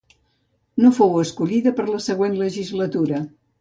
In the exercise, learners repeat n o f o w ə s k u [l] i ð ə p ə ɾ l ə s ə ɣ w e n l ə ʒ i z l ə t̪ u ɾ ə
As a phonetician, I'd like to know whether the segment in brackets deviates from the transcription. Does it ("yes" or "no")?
yes